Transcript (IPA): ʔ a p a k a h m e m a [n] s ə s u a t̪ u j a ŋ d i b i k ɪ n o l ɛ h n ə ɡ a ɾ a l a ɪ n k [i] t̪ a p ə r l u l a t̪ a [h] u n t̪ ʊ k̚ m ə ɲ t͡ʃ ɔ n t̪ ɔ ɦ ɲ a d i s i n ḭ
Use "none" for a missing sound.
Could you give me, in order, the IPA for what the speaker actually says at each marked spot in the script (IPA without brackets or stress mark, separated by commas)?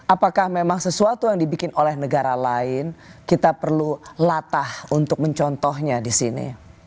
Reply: ŋ, i, h